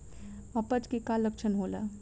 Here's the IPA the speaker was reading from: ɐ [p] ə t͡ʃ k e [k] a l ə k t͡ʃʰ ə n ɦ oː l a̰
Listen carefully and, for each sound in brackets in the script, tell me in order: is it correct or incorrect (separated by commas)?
correct, correct